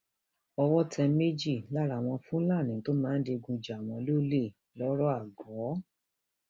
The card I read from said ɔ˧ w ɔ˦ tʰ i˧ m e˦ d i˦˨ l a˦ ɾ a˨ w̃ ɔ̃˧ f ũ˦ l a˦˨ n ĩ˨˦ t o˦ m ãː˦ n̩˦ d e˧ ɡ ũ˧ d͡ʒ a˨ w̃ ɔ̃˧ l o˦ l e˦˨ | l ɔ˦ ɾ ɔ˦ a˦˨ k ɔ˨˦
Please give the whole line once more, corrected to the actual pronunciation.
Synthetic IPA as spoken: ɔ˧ w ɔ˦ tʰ ɛ˧ m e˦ d͡ʒ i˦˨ l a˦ ɾ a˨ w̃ ɔ̃˧ f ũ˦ l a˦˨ n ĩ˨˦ t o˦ m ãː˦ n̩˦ d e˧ ɡ ũ˧ d͡ʒ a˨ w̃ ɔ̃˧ l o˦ l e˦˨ | l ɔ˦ ɾ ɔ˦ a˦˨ ɡ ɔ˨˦